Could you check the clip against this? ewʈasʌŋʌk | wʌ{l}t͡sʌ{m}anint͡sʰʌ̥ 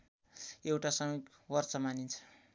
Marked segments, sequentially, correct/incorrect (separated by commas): incorrect, correct